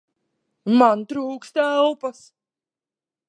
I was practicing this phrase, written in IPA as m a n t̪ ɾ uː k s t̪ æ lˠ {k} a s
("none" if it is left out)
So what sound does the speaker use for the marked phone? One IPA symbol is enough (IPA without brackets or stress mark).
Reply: p